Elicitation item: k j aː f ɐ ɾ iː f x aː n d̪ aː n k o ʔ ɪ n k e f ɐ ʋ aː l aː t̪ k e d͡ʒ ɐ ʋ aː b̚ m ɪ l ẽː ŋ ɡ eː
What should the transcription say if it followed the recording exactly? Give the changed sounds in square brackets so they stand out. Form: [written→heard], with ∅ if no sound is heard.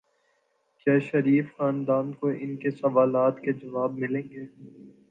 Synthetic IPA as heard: k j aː [f→ʃ] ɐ ɾ iː f x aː n d̪ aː n k o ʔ ɪ n k e [f→s] ɐ ʋ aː l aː t̪ k e d͡ʒ ɐ ʋ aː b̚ m ɪ l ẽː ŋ ɡ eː